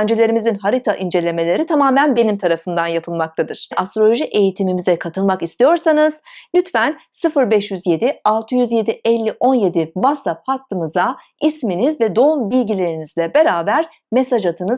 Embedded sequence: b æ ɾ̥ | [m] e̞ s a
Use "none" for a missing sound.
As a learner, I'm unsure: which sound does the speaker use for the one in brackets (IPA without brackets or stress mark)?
m